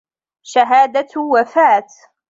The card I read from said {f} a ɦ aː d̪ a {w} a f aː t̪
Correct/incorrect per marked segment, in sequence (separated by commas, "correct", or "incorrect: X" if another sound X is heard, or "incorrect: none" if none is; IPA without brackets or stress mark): incorrect: ʃ, correct